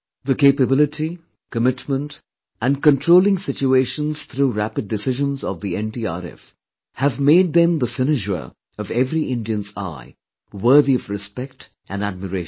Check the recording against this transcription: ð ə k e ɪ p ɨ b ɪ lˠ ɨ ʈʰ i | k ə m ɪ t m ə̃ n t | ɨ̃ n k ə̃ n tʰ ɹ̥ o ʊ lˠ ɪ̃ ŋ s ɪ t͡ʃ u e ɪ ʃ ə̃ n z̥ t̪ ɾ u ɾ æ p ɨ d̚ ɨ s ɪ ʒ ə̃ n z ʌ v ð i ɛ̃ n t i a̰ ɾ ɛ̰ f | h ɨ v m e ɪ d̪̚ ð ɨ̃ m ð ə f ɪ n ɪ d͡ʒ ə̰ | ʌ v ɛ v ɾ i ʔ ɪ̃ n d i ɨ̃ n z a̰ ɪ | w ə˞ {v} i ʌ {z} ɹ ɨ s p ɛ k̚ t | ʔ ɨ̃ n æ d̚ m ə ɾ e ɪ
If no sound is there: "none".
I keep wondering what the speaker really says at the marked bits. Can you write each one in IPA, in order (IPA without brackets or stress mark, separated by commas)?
ð, v